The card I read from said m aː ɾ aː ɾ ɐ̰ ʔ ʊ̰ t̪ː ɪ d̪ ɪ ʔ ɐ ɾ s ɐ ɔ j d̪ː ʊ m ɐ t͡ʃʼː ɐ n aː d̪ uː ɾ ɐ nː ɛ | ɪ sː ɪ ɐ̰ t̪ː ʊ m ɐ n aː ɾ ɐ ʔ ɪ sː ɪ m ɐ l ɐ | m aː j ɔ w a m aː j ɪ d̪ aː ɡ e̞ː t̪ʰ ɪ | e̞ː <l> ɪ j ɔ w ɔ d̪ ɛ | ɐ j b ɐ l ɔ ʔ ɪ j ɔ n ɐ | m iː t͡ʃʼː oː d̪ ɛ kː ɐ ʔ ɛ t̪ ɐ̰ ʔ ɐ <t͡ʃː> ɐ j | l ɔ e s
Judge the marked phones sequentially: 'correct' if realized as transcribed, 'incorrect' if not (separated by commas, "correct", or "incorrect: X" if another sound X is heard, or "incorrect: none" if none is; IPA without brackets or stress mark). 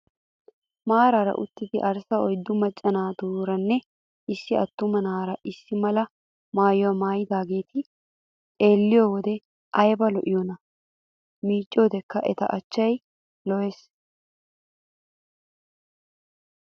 incorrect: lː, correct